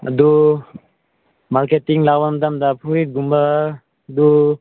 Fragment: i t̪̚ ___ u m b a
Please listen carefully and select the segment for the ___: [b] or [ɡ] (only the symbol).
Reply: ɡ